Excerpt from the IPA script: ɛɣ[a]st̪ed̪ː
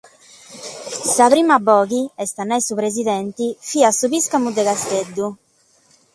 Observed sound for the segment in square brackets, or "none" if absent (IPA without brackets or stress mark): a